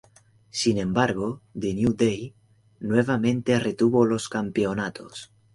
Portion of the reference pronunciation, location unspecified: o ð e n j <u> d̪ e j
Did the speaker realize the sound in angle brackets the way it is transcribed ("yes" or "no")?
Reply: yes